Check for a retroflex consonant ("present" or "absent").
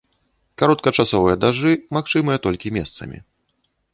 present